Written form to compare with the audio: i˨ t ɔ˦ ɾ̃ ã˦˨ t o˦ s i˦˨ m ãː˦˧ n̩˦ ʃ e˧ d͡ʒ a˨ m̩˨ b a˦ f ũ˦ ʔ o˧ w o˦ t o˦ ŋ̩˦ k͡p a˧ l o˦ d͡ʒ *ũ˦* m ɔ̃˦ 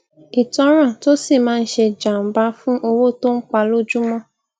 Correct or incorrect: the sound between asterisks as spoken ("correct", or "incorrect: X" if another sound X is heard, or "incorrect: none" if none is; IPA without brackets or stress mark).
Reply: incorrect: u˦